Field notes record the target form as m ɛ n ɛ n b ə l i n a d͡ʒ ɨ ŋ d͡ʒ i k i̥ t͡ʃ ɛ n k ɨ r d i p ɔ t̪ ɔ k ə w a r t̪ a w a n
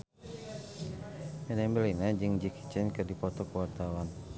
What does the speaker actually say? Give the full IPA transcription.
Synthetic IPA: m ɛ n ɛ m b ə l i n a d͡ʒ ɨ ŋ d͡ʒ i k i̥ t͡ʃ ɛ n k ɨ r d i p ɔ t̪ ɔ k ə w a r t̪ a w a n